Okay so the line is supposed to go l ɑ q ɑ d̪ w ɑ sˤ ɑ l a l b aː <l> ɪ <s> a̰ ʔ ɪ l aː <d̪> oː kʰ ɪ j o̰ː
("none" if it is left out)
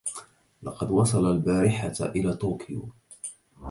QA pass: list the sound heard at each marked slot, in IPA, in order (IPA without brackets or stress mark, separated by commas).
ɾ, ħ, t̪